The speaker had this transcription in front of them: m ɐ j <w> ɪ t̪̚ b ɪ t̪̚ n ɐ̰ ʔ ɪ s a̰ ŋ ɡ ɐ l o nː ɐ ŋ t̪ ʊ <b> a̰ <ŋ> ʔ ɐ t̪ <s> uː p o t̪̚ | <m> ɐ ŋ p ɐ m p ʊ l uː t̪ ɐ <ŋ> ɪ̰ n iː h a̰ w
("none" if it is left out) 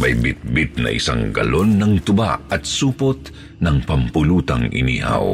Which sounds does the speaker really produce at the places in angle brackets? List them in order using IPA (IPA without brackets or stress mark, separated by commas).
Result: b, b, none, s, n, ŋ